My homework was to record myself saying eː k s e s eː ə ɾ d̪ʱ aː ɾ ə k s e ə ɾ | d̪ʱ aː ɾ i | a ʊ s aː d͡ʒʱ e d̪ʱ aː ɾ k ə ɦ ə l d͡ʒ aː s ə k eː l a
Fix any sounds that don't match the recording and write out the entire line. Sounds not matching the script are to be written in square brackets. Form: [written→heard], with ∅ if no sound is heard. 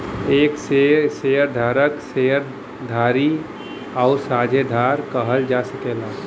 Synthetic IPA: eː k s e s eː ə ɾ d̪ʱ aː ɾ ə k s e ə ɾ | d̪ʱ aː ɾ i | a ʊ s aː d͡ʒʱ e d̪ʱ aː ɾ k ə ɦ ə l d͡ʒ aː s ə k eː l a